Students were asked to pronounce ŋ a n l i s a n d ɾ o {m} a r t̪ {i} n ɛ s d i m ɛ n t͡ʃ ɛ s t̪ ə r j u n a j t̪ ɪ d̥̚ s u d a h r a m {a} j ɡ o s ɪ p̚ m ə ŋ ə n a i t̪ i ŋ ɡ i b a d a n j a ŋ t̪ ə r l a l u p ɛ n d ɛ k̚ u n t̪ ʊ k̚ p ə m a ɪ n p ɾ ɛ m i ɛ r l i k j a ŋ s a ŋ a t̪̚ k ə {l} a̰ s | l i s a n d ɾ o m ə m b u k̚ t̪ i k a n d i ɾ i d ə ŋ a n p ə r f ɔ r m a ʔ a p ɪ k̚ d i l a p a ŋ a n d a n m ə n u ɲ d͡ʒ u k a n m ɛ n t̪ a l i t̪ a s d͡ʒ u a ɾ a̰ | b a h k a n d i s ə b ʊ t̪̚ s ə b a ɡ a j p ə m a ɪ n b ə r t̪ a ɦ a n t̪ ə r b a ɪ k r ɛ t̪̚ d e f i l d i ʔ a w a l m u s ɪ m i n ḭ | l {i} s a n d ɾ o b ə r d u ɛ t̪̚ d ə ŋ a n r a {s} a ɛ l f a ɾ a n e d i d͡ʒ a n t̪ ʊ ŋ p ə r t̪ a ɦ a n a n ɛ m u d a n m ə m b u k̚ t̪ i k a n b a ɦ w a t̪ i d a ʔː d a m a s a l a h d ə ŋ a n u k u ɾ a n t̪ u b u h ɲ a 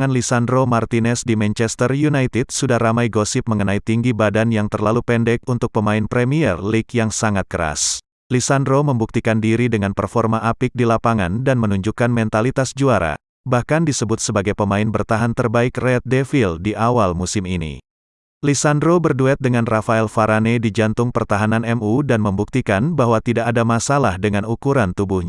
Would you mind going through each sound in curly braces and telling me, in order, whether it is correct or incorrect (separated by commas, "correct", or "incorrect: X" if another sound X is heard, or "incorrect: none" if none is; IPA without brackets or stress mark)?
correct, correct, correct, incorrect: ɾ, correct, incorrect: f